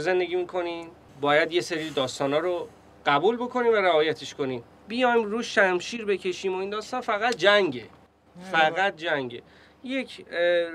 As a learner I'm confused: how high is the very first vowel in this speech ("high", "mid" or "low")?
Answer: mid